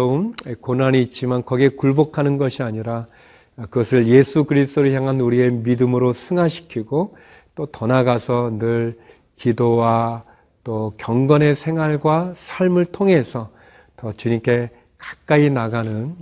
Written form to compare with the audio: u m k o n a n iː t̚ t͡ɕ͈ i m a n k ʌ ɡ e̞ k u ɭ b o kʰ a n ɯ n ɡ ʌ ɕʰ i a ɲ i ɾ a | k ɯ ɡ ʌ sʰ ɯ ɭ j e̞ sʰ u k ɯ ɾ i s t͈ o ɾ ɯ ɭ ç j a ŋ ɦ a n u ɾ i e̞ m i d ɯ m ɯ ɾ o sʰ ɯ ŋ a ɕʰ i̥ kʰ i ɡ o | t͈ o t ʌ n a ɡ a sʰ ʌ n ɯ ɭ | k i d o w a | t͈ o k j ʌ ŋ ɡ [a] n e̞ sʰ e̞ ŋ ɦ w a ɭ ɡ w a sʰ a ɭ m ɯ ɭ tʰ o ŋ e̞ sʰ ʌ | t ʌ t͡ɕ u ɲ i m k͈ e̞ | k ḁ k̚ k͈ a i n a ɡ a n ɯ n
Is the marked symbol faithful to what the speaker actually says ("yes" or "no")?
no